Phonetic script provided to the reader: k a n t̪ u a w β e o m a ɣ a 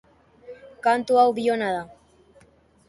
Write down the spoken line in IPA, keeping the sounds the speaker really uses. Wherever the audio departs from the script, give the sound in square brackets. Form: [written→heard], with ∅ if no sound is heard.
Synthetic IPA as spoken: k a n t̪ u a w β [e→i] o [m→n] a [ɣ→ð] a